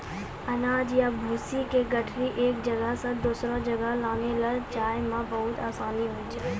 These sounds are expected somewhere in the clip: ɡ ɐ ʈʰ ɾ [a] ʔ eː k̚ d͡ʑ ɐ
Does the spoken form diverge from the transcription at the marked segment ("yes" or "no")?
yes